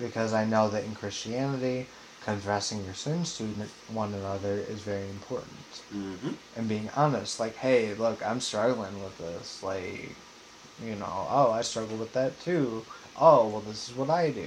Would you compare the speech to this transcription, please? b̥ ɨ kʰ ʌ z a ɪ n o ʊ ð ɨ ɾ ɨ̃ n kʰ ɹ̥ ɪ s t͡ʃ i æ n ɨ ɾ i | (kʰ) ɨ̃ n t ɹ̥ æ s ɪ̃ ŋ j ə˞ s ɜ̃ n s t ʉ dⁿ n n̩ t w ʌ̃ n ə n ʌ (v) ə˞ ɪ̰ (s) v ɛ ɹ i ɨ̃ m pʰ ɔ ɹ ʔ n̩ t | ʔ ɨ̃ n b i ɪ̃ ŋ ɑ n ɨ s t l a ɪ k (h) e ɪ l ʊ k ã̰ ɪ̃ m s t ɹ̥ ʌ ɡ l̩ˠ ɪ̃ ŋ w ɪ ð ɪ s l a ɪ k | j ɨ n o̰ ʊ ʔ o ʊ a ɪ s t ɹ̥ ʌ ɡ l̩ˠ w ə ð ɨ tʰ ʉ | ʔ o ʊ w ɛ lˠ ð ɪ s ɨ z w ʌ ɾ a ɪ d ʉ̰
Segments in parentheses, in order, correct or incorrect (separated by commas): correct, incorrect, incorrect, correct